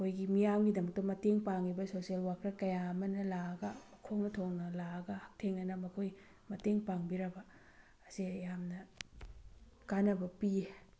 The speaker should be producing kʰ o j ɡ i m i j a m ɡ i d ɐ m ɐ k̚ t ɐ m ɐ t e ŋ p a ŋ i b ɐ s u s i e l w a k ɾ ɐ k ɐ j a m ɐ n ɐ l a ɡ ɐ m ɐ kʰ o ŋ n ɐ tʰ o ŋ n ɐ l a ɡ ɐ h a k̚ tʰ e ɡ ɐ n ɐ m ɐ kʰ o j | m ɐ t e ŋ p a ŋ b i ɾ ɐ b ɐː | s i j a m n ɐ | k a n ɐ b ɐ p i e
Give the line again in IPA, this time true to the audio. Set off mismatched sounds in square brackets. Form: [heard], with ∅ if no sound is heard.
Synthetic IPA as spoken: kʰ o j ɡ i m i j a m ɡ i d ɐ m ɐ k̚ t ɐ m ɐ t e ŋ p a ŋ i b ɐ s [o] s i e l w a k ɾ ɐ k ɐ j a m ɐ n ɐ l a ɡ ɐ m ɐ kʰ o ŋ n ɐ tʰ o ŋ n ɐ l a ɡ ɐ h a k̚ tʰ e [ŋ] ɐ n ɐ m ɐ kʰ o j | m ɐ t e ŋ p a ŋ b i ɾ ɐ b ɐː | s i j a m n ɐ | k a n ɐ b ɐ p i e

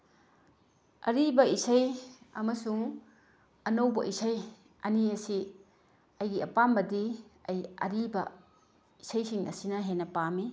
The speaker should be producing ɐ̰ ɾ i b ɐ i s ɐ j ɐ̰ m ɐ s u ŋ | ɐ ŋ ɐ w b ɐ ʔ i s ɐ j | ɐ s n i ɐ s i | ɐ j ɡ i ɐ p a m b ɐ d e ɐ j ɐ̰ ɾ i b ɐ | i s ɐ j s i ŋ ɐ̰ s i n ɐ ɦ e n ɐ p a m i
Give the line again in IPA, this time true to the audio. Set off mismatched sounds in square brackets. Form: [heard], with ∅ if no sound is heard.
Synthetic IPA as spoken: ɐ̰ ɾ i b ɐ i s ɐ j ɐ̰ m ɐ s u ŋ | ɐ [n] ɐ w b ɐ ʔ i s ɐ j | ɐ [∅] n i ɐ s i | ɐ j ɡ i ɐ p a m b ɐ d [i] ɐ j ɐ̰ ɾ i b ɐ | i s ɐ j s i ŋ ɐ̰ s i n ɐ ɦ e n ɐ p a m i

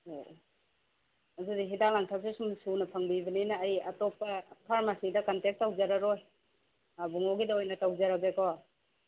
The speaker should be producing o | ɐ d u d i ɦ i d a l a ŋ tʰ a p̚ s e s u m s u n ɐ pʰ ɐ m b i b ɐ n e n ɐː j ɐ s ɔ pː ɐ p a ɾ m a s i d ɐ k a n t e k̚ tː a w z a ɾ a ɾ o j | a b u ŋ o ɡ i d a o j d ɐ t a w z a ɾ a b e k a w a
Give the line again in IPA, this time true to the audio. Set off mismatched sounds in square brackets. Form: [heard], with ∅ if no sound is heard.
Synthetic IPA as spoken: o | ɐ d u d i ɦ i d a l a ŋ tʰ a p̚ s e s u m s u n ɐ pʰ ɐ [ŋ] b i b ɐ n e n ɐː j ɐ [t] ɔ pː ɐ [pʰ] a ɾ m a s i d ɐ k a n t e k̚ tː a w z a ɾ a ɾ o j | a b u ŋ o ɡ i d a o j [n] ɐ t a w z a ɾ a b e k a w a

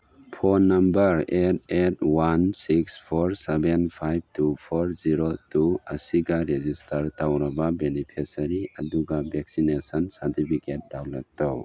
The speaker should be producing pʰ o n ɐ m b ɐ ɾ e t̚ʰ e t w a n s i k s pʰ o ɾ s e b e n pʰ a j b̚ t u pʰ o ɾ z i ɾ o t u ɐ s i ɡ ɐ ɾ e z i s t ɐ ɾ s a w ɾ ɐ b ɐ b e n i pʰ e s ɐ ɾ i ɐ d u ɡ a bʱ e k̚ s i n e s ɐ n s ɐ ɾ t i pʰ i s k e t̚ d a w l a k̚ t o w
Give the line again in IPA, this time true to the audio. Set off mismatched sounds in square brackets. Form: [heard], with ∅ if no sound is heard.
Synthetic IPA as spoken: pʰ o n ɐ m b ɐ ɾ e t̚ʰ e t w a n s i k s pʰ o ɾ s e b e n pʰ a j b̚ t u pʰ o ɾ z i ɾ o t u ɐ s i ɡ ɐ ɾ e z i s t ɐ ɾ [t] a w ɾ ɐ b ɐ b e n i pʰ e s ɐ ɾ i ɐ d u ɡ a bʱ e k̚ s i n e s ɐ n s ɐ ɾ t i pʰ i [∅] k e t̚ d a w l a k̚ t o w

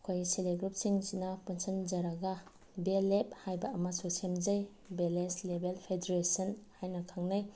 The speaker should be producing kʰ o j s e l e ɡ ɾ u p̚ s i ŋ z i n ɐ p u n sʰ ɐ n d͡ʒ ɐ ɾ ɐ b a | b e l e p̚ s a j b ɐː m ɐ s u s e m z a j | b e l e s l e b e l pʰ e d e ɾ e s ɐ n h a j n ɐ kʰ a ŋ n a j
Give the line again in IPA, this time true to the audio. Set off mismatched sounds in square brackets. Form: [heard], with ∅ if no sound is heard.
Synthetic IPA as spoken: kʰ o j s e l e ɡ ɾ u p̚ s i ŋ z i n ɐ p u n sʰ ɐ n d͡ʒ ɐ ɾ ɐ [ɡ] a | b e l e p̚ [h] a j b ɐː m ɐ s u s e m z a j | b e l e s l e b e l pʰ e d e ɾ e s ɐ n h a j n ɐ kʰ a ŋ n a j

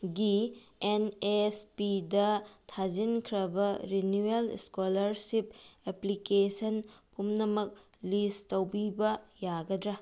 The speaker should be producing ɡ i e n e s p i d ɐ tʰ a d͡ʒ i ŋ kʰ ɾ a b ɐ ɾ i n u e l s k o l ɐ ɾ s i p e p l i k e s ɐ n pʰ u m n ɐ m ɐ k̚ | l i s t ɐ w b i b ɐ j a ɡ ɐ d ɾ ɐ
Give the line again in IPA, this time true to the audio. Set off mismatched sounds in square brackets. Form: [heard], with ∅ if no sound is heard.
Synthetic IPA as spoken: ɡ i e n e s p i d ɐ tʰ a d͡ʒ i [n] kʰ ɾ [ɐ] b ɐ ɾ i n u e l s k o l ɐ ɾ s i p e p l i k e s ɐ n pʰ u m n ɐ m ɐ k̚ | l i s t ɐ w b i b ɐ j a ɡ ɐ d ɾ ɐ

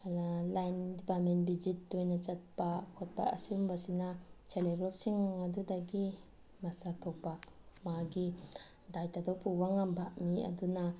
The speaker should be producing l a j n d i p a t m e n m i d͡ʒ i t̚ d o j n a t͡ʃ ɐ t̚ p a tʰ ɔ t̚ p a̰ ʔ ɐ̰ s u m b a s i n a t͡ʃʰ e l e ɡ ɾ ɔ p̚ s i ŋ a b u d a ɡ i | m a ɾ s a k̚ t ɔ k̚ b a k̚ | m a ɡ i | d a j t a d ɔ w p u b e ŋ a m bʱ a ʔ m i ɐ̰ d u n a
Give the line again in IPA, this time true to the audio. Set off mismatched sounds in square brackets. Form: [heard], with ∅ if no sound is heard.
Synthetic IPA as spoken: l a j n d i p a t m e n [b] i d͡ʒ i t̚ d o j n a t͡ʃ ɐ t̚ p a [kʰ] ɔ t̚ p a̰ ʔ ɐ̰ s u m b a s i n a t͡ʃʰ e l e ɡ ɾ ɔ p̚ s i ŋ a [d] u d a ɡ i | m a [∅] s a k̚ [tʰ] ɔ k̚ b a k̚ | m a ɡ i | d a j t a d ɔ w p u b [a] ŋ a m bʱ a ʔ m i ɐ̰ d u n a

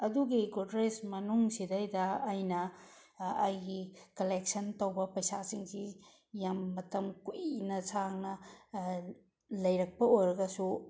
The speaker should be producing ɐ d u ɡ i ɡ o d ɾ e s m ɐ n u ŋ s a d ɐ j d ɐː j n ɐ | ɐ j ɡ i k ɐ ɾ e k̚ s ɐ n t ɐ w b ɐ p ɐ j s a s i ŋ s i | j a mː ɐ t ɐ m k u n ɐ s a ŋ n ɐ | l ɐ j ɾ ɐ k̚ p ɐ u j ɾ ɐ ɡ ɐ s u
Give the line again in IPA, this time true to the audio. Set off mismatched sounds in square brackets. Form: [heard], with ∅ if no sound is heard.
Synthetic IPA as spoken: ɐ d u ɡ i ɡ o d ɾ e s m ɐ n u ŋ s [i] d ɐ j d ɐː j n ɐ | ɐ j ɡ i k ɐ [l] e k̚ s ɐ n t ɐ w b ɐ p ɐ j s a s i ŋ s i | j a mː ɐ t ɐ m k u n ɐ s a ŋ n ɐ | l ɐ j ɾ ɐ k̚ p ɐ [o] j ɾ ɐ ɡ ɐ s u

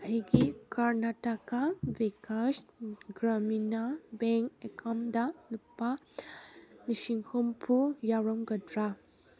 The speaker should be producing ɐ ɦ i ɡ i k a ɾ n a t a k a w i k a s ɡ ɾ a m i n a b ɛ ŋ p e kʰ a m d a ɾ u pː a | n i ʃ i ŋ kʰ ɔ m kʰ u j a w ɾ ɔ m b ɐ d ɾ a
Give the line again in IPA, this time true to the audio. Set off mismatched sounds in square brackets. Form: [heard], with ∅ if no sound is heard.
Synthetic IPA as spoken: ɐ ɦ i ɡ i k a ɾ n a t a k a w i k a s ɡ ɾ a m i n a b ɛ ŋ [k] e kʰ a m d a [l] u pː a | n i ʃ i ŋ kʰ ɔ m [pʰ] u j a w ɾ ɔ m [ɡ] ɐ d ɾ a

